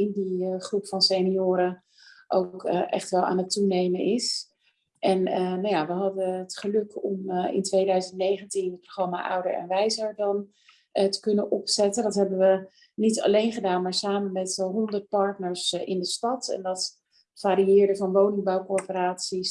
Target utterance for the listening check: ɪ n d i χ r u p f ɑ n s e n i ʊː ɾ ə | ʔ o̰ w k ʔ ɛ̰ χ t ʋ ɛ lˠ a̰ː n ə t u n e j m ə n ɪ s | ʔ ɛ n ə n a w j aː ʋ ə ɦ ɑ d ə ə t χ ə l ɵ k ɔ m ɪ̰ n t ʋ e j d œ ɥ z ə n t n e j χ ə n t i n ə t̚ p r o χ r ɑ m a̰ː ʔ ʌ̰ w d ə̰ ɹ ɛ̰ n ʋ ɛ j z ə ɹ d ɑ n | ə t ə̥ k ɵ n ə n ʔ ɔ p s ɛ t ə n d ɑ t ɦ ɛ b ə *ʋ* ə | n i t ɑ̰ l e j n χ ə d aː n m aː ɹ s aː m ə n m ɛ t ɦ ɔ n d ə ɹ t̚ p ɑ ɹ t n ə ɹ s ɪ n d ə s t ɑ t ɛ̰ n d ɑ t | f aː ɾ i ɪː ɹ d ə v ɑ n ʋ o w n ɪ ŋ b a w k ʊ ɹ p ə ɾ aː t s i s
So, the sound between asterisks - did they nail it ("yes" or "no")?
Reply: yes